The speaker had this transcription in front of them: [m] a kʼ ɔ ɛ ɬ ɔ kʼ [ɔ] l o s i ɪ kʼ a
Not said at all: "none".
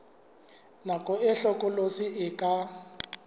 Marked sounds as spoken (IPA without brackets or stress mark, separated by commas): n, ɔ